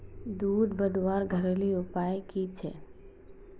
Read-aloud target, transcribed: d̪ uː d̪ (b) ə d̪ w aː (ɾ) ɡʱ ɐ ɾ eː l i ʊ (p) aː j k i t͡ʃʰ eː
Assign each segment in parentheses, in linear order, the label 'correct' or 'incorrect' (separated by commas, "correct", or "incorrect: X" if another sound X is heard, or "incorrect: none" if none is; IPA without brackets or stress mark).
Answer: correct, correct, correct